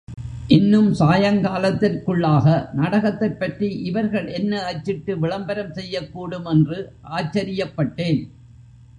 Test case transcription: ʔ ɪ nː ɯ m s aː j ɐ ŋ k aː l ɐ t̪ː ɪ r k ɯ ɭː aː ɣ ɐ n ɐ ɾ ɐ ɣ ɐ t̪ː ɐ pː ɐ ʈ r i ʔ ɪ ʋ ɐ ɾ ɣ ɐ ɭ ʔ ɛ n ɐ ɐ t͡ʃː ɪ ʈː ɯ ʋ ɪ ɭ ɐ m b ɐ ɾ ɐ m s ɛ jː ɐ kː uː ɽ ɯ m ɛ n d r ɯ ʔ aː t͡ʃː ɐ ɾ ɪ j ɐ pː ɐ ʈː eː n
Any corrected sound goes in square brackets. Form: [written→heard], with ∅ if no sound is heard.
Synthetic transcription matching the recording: ʔ ɪ nː ɯ m s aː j ɐ ŋ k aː l ɐ t̪ː ɪ r k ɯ ɭː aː ɣ ɐ n ɐ [ɾ→ɽ] ɐ ɣ ɐ t̪ː ɐ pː ɐ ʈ r i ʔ ɪ ʋ ɐ ɾ ɣ ɐ ɭ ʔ ɛ [n→nː] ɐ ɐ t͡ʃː ɪ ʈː ɯ ʋ ɪ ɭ ɐ m b ɐ ɾ ɐ m s ɛ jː ɐ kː uː ɽ ɯ m ɛ n d r ɯ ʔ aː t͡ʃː ɐ ɾ ɪ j ɐ pː ɐ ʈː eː n